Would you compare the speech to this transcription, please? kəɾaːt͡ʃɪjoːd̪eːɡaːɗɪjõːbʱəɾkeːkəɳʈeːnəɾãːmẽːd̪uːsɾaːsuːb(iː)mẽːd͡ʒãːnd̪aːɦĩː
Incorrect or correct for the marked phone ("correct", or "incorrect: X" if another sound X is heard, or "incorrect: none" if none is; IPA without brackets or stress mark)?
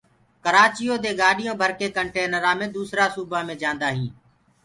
incorrect: aː